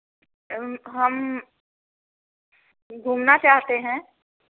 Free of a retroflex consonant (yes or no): yes